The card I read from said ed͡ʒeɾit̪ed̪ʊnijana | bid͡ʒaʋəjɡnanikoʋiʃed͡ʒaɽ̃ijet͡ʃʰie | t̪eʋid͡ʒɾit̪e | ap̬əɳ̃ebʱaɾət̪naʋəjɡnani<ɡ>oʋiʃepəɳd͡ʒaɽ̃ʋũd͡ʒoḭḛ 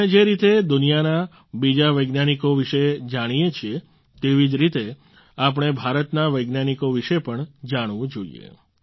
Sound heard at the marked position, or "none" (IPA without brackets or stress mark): k